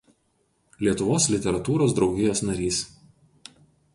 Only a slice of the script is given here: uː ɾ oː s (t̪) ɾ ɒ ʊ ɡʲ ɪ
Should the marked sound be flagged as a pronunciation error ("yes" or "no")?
yes